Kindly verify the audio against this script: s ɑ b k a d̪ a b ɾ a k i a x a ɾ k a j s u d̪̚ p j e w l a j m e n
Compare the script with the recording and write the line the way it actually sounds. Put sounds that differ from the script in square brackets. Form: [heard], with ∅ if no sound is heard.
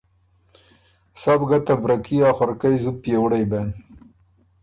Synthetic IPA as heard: s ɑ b [ɡ] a [t̪] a b ɾ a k i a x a ɾ k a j [z] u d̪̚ p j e w [ɽ] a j [b] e n

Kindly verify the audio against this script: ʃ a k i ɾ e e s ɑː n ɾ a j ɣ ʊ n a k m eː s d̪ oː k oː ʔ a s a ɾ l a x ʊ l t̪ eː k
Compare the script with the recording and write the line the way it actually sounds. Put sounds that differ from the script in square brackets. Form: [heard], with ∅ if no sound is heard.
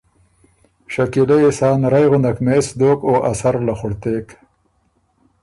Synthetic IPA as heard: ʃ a k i [l] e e s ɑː n ɾ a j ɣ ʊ n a k m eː s d̪ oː k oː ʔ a s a ɾ l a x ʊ [ɽ] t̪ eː k

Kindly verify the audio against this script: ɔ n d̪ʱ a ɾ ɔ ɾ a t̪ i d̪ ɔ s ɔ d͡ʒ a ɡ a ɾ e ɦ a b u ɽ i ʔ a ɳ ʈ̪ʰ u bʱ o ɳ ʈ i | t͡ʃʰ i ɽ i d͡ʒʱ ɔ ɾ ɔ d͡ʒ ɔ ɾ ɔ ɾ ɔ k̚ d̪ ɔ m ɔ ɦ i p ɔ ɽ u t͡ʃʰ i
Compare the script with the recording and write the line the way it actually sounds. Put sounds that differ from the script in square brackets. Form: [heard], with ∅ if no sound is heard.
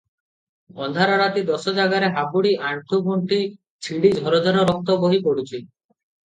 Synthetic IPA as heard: ɔ n d̪ʱ a ɾ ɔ ɾ a t̪ i d̪ ɔ s ɔ d͡ʒ a ɡ a ɾ e ɦ a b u ɽ i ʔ a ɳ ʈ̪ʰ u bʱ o ɳ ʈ i | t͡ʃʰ i ɽ i d͡ʒʱ ɔ ɾ ɔ d͡ʒ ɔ ɾ ɔ ɾ ɔ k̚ [t̪] ɔ [b] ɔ ɦ i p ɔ ɽ u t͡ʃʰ i

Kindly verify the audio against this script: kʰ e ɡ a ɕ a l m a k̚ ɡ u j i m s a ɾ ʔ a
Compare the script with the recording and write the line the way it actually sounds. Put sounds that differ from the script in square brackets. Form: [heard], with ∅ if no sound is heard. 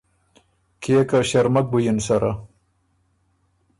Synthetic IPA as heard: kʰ e [k] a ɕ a [ɾ] m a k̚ [b] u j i [n] s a ɾ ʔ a

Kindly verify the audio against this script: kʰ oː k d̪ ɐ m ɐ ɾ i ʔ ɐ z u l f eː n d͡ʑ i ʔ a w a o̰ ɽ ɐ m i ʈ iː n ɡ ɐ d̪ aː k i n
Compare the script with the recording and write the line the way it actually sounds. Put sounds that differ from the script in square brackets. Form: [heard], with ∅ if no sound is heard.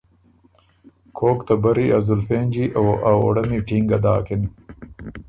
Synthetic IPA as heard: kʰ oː k [t̪] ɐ [b] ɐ ɾ i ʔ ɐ z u l f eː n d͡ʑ i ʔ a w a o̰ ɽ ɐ m i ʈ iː [ŋ] ɡ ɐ d̪ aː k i n

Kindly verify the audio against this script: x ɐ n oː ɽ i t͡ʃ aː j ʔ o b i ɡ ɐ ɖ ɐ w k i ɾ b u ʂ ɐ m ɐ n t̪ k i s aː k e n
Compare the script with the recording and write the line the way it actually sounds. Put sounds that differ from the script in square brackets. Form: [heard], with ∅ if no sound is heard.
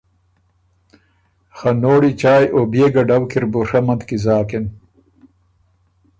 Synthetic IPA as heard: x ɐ n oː ɽ i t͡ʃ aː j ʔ o b [e] ɡ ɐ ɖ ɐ w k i ɾ b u ʂ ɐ m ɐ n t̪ k i [z] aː k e n

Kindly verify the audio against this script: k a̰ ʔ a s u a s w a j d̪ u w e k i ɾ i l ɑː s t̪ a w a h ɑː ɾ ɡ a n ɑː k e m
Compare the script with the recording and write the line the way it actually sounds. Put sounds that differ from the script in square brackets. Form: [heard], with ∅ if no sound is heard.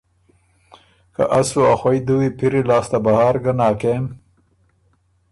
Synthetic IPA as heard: k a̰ ʔ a s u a [x] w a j d̪ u w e [p] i ɾ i l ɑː s t̪ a [b] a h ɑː ɾ ɡ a n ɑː k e m

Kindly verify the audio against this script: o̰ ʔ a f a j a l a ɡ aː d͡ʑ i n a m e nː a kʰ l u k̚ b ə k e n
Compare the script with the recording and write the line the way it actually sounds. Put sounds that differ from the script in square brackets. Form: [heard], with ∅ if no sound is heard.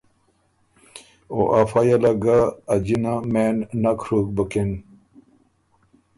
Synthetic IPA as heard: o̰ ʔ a f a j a l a ɡ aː d͡ʑ i n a m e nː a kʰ [ɾ] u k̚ b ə k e n

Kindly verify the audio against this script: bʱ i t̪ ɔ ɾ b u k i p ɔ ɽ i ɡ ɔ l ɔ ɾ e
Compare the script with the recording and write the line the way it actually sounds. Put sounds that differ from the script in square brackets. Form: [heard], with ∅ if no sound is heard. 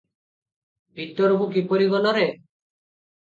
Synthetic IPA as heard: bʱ i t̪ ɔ ɾ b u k i p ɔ [ɾ] i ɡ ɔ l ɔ ɾ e

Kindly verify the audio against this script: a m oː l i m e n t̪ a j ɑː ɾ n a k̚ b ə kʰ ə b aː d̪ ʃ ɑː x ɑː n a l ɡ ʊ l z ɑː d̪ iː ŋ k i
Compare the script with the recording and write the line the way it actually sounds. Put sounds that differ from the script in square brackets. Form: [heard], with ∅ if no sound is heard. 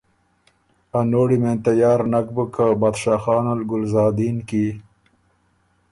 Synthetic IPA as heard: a [n] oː [ɽ] i m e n t̪ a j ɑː ɾ n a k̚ b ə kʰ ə b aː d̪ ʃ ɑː x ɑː n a l ɡ ʊ l z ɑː d̪ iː [n] k i

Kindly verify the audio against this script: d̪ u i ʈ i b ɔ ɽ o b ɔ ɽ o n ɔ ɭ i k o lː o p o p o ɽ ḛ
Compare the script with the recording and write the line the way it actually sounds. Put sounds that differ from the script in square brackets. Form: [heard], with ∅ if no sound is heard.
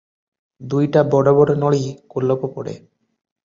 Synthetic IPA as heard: d̪ u [j] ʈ [a] b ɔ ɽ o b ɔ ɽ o n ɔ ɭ i k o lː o p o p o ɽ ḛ

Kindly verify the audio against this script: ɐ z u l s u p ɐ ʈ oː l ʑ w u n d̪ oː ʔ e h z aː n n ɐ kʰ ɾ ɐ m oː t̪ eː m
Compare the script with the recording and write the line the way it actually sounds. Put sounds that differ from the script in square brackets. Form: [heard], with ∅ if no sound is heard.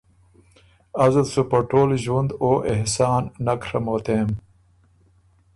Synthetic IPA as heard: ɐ z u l s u p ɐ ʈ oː l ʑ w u n d̪ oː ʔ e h [s] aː n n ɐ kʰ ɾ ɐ m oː t̪ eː m

